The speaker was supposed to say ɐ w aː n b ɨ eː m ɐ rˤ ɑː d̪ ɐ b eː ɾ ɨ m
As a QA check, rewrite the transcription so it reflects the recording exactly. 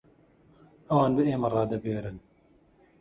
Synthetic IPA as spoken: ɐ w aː n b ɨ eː m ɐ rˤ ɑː d̪ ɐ b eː ɾ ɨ n